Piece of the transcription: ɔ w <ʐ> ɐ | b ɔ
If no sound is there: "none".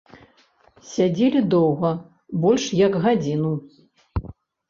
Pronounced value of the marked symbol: ɣ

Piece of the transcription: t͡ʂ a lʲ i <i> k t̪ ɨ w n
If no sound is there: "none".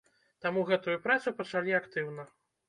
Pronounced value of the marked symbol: a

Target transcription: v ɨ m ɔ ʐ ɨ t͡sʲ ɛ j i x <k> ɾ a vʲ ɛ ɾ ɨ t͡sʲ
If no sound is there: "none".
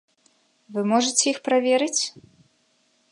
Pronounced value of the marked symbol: p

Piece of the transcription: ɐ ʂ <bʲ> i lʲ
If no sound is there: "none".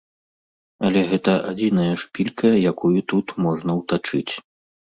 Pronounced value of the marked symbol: pʲ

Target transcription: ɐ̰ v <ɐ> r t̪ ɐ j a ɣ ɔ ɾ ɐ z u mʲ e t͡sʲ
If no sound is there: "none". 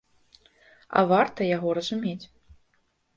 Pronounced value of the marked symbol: a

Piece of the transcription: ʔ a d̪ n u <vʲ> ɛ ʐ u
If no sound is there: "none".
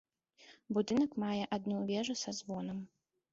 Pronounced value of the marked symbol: vʲ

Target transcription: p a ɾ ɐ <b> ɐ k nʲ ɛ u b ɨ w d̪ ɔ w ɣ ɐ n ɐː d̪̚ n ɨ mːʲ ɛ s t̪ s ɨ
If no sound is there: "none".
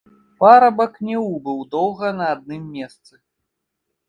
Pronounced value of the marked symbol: b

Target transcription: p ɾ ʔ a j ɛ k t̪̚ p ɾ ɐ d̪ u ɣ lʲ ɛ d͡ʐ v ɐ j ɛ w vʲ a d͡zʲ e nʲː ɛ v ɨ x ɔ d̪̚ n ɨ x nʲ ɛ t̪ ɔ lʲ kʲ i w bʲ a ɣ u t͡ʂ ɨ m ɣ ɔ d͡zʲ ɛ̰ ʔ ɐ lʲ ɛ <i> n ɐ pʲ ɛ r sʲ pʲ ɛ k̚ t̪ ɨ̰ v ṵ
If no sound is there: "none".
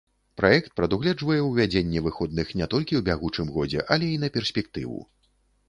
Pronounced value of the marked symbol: i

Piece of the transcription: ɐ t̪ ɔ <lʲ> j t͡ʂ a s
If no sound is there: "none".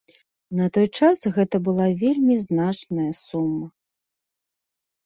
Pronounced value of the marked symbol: none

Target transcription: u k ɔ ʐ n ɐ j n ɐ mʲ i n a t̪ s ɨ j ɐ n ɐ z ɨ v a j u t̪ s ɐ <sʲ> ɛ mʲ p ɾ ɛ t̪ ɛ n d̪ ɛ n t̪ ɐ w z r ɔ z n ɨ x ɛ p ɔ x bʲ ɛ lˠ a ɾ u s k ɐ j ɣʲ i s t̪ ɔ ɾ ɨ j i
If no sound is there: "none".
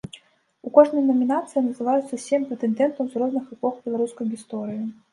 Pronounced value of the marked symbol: sʲ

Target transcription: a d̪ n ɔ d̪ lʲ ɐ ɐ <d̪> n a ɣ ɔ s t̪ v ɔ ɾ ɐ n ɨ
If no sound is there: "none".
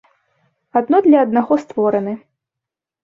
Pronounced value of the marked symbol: d̪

